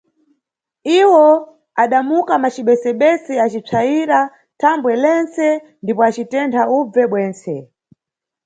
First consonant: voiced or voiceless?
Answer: voiced